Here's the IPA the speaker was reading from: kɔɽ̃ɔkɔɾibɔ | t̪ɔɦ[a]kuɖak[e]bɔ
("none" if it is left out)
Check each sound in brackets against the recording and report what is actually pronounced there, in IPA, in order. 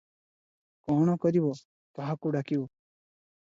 a, i

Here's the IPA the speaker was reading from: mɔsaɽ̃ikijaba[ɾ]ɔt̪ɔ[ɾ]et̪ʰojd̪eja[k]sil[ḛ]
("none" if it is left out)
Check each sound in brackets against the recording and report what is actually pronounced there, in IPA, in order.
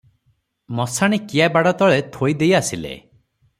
ɽ, ɭ, none, ḛ

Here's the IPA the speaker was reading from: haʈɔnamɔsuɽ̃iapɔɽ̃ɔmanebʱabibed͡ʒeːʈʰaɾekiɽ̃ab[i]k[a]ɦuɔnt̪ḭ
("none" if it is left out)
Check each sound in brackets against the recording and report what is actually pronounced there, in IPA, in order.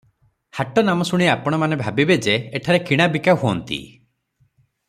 i, a

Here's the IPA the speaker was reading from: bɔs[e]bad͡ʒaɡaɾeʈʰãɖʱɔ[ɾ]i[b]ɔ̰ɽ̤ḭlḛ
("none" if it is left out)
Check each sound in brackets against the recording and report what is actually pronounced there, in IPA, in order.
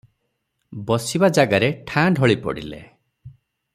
i, ɭ, p

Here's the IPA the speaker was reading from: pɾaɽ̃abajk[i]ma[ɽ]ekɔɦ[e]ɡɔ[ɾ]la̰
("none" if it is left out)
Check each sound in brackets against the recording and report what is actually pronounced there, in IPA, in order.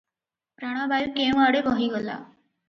e, ɽ, i, none

